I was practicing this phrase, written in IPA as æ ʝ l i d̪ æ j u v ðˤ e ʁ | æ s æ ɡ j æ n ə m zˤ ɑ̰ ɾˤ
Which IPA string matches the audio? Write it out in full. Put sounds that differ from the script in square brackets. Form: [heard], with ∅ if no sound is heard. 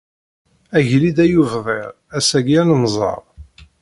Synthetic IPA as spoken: æ ʝ l i d̪ æ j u v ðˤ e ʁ | æ s æ ɡ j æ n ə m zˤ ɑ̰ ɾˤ